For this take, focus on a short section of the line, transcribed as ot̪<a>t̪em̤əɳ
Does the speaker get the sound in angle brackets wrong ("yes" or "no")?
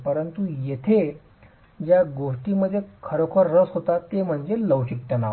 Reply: no